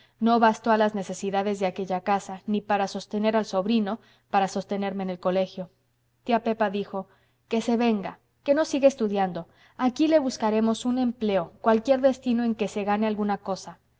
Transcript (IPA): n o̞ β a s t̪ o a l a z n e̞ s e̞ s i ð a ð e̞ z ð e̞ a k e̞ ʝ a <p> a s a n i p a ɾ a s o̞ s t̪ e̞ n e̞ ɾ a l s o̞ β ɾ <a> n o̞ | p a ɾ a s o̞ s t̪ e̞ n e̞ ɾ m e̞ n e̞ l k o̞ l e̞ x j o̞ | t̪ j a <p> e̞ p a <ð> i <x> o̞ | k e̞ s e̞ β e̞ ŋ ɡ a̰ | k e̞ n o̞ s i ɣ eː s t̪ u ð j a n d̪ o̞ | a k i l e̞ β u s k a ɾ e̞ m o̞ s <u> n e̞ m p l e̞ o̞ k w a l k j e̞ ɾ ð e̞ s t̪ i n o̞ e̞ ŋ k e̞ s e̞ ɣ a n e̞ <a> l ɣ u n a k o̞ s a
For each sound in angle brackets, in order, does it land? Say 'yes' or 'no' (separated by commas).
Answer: no, no, yes, yes, yes, yes, yes